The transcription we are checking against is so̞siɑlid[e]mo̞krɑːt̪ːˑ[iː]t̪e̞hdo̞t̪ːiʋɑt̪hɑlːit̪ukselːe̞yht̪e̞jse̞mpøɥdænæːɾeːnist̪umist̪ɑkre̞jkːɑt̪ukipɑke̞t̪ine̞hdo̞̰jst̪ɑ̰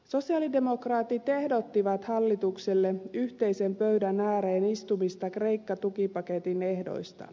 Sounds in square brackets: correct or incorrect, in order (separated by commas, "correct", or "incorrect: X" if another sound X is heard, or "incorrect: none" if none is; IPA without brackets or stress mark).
correct, incorrect: i